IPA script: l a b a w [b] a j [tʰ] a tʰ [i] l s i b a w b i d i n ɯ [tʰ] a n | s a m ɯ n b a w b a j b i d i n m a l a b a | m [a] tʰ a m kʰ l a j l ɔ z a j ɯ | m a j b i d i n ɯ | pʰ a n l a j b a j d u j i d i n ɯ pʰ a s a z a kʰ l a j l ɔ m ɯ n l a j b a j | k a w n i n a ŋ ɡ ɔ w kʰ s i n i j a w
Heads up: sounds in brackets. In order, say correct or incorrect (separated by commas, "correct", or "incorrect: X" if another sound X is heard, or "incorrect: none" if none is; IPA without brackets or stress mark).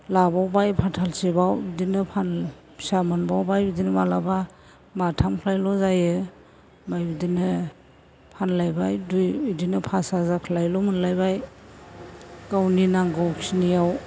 correct, incorrect: pʰ, incorrect: a, incorrect: pʰ, correct